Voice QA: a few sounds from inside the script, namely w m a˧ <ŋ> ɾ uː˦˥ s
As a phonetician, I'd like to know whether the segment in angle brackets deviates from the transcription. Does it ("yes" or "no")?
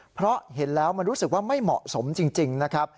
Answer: yes